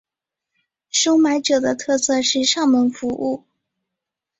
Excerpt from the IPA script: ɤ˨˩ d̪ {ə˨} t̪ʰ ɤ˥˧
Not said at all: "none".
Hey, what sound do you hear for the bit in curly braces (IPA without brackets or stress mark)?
ə˦